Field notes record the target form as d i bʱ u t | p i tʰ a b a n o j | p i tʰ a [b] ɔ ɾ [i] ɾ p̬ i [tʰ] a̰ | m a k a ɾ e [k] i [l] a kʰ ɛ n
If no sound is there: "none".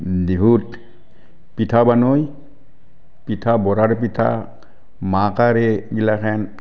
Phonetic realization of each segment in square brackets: b, a, tʰ, ɡ, l

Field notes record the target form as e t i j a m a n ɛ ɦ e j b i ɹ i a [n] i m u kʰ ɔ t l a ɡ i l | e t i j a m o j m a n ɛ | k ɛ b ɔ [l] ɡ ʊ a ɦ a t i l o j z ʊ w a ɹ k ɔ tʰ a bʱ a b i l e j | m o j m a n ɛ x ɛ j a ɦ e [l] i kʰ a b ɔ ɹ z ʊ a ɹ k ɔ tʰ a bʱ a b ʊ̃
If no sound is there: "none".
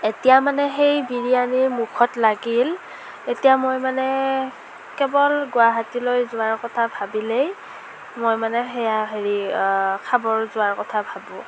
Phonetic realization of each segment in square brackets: n, l, ɹ

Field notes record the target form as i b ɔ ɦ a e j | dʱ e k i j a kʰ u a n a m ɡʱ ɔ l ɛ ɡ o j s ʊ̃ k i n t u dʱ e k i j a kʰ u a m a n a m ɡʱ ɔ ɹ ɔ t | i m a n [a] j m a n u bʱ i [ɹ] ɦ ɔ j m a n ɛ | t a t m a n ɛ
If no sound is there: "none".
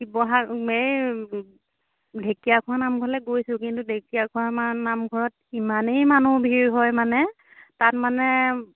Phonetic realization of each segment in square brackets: e, ɹ

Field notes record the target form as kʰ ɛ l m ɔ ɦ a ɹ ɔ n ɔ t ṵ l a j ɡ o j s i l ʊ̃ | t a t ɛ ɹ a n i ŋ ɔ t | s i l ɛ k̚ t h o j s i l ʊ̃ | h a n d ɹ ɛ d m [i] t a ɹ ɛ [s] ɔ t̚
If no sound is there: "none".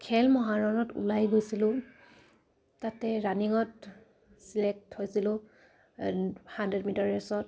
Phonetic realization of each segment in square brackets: i, s

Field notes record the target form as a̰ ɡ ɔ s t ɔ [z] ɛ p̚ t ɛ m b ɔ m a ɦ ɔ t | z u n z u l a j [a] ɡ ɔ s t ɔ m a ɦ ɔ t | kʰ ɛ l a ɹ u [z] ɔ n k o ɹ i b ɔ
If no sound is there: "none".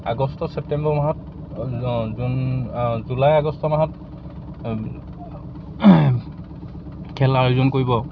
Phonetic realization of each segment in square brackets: s, a, z

